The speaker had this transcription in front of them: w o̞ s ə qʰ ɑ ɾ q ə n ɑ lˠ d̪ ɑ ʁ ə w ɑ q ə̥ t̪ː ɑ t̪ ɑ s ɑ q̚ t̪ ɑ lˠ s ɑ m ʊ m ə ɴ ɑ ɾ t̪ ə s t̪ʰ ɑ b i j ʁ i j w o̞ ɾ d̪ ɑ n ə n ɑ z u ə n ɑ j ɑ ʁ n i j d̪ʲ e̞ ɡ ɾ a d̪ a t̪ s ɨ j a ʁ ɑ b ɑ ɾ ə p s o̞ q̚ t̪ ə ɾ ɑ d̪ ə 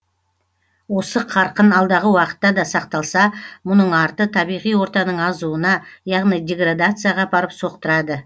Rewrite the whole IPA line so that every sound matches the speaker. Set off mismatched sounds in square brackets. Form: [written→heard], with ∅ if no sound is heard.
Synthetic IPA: w o̞ s ə qʰ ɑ ɾ q ə n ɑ lˠ d̪ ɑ ʁ ə w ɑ q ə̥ t̪ː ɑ [t̪→d̪] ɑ s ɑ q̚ t̪ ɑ lˠ s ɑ m ʊ [m→n] ə ɴ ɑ ɾ t̪ ə [s→∅] t̪ʰ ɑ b i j ʁ i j w o̞ ɾ [d̪→t̪] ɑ n ə [n→ɴ] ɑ z u ə n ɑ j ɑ ʁ n i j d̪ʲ e̞ ɡ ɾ a d̪ a t̪ s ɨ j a ʁ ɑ b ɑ ɾ ə p s o̞ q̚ t̪ ə ɾ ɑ d̪ ə